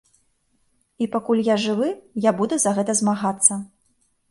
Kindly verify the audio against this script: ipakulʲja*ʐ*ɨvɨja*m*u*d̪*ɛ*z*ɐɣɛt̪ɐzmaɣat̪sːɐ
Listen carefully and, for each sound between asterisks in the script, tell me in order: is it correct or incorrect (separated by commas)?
correct, incorrect, correct, correct